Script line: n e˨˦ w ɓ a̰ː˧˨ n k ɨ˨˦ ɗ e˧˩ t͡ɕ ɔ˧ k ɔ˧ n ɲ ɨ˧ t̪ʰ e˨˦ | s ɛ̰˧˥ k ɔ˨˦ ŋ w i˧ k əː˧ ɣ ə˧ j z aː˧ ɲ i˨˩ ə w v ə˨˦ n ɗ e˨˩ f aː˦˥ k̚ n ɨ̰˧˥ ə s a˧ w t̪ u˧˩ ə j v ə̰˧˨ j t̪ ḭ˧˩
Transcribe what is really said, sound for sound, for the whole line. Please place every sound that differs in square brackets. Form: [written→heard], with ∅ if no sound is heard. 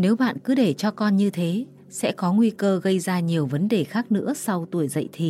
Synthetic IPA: n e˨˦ w ɓ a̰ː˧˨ n k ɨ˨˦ ɗ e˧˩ t͡ɕ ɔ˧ k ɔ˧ n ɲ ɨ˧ t̪ʰ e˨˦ | s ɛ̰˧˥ k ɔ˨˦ ŋ w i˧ k əː˧ ɣ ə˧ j z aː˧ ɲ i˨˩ ə w v ə˨˦ n ɗ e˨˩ [f→x] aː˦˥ k̚ n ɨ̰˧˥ ə s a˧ w t̪ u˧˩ ə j [v→z] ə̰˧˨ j [t̪→t̪ʰ] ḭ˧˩